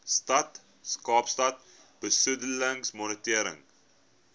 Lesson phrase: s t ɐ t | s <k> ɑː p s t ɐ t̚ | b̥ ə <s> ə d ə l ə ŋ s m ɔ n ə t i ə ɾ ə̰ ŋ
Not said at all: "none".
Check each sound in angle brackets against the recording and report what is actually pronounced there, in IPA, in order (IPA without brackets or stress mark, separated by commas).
k, s